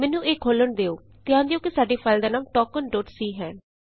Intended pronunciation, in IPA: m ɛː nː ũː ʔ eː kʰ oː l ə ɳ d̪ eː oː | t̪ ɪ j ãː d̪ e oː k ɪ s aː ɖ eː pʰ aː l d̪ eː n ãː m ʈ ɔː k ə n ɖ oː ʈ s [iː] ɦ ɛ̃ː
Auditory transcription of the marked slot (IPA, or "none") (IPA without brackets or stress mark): iː